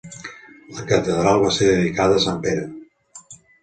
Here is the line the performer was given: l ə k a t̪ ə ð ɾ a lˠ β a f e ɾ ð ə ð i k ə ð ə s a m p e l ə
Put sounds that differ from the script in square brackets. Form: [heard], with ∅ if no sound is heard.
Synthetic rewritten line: l ə k [ə] t̪ ə ð ɾ a lˠ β a [s] e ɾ ð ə ð i k [a] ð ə s a m p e [ɾ] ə